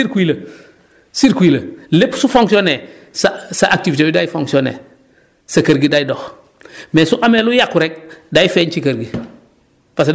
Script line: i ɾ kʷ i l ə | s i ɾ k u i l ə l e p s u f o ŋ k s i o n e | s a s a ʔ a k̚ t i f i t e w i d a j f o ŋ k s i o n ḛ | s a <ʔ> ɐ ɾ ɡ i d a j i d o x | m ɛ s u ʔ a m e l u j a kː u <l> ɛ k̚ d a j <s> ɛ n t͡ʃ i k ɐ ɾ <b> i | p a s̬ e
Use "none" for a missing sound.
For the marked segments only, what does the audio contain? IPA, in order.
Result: k, ɾ, f, ɡ

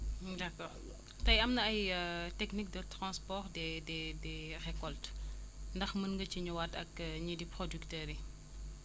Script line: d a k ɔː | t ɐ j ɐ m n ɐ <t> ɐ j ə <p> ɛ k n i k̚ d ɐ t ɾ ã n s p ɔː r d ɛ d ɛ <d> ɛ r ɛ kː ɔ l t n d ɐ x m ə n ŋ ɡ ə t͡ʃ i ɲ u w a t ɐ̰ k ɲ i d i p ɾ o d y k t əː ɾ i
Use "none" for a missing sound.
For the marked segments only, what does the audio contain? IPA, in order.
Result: none, t, d

